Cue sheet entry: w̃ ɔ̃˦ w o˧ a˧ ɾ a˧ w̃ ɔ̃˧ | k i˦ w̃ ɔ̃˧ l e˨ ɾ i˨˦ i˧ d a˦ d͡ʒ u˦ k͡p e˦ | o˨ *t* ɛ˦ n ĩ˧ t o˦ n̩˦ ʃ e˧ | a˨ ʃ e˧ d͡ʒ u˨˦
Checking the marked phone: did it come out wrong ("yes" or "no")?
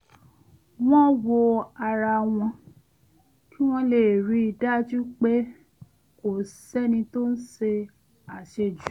yes